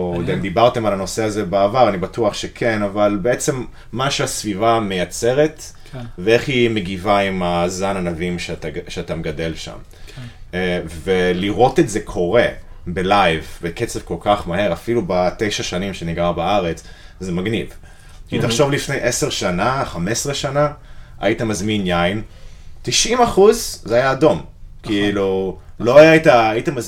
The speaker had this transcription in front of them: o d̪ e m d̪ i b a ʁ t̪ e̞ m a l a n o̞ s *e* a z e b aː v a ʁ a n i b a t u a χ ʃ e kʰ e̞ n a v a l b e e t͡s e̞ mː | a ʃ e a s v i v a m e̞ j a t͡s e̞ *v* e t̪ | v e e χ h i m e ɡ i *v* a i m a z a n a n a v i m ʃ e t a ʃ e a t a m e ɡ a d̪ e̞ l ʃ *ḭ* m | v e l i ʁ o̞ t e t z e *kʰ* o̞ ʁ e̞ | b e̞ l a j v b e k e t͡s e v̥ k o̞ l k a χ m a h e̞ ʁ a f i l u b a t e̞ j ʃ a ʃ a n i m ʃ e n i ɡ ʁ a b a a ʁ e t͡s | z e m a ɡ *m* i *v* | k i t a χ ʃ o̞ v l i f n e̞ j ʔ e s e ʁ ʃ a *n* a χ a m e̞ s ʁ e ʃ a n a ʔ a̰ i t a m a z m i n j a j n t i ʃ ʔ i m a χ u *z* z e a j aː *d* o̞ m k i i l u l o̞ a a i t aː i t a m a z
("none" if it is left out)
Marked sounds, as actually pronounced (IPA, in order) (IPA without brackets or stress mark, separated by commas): e, ʁ, v, a̰, kʰ, n, v, n, z, d